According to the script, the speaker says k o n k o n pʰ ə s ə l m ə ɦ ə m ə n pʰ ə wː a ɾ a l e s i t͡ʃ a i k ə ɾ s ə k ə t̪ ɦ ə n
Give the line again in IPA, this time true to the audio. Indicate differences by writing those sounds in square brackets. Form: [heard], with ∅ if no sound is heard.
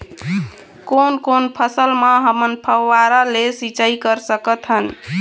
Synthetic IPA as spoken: k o n k o n pʰ ə s ə l m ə ɦ ə m ə n pʰ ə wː a ɾ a l e s i t͡ʃ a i k ə ɾ s ə k ə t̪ ɦ ə n